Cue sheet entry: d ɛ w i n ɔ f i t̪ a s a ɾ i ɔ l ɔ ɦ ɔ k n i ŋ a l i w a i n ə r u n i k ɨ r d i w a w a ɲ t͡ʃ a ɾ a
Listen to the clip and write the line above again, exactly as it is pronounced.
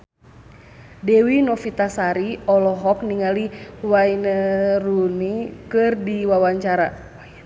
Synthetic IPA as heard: d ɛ w i n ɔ f i t̪ a s a ɾ i ɔ l ɔ ɦ ɔ k n i ŋ a l i w a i n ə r u n i k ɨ r d i w a w a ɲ t͡ʃ a ɾ a